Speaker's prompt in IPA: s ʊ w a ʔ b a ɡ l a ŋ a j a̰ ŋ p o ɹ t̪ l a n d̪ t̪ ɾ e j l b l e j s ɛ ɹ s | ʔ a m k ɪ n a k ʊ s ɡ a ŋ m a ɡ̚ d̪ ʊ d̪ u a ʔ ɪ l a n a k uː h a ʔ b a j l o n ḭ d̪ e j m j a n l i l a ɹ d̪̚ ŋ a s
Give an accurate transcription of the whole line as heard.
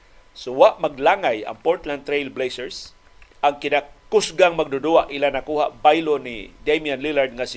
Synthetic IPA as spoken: s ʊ w a ʔ m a ɡ l a ŋ a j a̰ ŋ p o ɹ t̪ l a n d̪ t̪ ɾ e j l b l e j s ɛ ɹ s | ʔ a ŋ k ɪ n a k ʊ s ɡ a ŋ m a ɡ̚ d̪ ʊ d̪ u a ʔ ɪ l a n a k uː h a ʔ b a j l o n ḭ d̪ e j m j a n l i l a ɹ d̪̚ ŋ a s